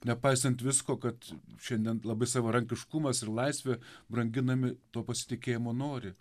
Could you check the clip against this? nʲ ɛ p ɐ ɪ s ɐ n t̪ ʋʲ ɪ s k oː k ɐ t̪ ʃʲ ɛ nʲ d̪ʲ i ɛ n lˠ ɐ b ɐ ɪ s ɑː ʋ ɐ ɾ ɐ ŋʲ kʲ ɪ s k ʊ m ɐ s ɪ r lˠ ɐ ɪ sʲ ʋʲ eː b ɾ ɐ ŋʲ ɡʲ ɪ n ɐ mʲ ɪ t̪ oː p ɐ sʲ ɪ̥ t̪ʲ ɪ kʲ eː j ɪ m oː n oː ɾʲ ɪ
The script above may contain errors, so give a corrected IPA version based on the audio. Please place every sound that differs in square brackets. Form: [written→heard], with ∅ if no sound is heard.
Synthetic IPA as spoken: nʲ ɛ p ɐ ɪ s ɐ n t̪ ʋʲ ɪ s k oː k ɐ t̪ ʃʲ ɛ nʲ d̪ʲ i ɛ n lˠ ɐ b ɐ ɪ s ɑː ʋ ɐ ɾ ɐ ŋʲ kʲ ɪ [s→ʃ] k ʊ m ɐ s ɪ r lˠ ɐ ɪ sʲ ʋʲ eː b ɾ ɐ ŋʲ ɡʲ ɪ n ɐ mʲ ɪ t̪ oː p ɐ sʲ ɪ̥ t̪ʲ ɪ kʲ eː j ɪ m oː n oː ɾʲ ɪ